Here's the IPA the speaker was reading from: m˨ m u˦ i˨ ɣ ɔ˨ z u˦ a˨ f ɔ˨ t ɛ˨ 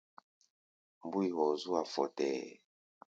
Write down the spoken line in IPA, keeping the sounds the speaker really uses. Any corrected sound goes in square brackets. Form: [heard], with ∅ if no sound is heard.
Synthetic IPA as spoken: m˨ [b] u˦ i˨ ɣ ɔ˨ z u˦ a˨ f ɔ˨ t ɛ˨